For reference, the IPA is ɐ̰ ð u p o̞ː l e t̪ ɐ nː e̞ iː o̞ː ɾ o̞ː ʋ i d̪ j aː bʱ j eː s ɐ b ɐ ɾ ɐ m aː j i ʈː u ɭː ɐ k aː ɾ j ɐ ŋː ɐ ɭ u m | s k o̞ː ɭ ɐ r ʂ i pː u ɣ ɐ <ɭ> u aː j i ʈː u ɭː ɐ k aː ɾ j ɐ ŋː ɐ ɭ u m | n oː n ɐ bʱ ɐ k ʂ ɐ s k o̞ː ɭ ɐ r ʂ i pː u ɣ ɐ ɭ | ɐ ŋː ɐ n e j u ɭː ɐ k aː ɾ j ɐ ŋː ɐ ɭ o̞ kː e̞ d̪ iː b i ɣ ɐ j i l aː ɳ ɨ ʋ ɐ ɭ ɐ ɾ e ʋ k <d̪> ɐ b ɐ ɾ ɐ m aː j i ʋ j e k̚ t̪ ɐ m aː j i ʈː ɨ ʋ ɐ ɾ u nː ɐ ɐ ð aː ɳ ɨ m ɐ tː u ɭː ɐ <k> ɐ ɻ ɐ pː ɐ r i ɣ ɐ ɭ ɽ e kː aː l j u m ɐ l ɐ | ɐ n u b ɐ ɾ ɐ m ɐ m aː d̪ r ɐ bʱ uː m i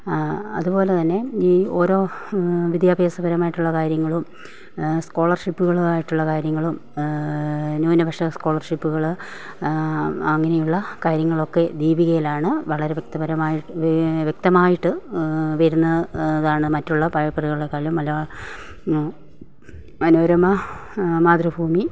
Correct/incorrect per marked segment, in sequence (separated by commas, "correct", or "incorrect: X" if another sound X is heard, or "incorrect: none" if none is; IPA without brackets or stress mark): correct, incorrect: t̪, incorrect: p